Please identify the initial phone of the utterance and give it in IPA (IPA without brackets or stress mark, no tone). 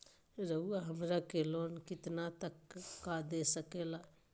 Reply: ɾ